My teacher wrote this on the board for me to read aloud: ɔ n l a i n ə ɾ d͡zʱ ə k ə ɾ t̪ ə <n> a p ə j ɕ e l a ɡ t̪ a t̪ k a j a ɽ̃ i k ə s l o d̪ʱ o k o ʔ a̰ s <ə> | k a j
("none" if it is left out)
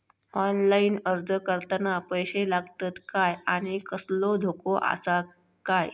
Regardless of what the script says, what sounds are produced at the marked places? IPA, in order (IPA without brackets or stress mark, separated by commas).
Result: n, a